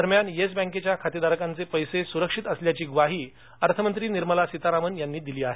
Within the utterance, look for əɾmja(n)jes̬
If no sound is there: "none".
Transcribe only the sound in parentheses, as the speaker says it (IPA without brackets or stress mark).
n